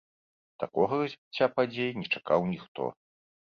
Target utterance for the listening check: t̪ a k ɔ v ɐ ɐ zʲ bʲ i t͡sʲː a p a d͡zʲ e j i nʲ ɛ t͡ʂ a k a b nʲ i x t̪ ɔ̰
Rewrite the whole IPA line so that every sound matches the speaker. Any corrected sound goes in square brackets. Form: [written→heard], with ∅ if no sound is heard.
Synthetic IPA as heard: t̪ a k ɔ [v→ɣ] ɐ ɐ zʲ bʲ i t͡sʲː a p a d͡zʲ e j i nʲ ɛ t͡ʂ a k a [b→w] nʲ i x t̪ ɔ̰